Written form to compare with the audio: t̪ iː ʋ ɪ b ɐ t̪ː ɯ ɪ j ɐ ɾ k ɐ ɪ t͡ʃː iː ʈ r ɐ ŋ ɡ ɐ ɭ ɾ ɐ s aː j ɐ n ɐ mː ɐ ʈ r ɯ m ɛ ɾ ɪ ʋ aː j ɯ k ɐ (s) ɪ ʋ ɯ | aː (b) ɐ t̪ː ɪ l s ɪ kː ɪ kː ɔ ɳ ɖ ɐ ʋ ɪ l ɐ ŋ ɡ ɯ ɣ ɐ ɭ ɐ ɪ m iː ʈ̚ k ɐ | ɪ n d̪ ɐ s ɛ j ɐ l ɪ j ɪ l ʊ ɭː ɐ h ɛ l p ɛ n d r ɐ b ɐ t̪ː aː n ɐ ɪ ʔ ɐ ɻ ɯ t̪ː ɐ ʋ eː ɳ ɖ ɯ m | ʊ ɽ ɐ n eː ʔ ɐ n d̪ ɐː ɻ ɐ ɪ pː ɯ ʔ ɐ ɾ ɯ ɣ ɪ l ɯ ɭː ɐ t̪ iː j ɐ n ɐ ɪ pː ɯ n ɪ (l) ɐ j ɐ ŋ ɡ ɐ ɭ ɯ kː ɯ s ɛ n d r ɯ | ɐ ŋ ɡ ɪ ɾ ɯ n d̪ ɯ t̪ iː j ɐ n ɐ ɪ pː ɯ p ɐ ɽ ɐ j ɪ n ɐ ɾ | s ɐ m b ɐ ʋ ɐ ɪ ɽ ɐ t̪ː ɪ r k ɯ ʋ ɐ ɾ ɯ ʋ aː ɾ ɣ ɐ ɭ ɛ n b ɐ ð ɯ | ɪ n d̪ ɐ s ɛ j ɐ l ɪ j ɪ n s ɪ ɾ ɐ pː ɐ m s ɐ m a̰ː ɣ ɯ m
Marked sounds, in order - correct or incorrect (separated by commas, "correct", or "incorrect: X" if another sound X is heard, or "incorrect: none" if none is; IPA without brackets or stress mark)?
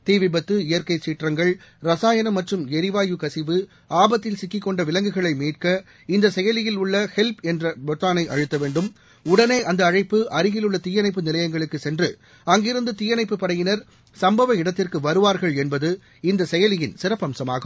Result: correct, correct, correct